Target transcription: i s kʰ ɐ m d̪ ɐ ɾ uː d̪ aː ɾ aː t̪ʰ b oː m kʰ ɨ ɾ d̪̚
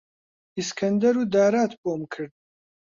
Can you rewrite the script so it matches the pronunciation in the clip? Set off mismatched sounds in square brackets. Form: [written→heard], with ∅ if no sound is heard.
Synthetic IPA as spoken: i s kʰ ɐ [m→n] d̪ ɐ ɾ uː d̪ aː ɾ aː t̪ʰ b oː m kʰ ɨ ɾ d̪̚